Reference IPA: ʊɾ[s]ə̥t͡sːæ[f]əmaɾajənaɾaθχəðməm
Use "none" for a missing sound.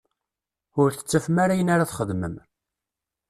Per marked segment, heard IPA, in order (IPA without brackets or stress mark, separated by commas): θ, f